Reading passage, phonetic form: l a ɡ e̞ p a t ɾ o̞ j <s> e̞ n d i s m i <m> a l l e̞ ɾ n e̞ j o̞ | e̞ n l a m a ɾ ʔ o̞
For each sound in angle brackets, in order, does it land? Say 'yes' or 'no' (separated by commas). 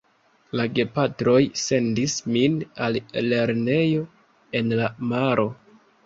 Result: yes, no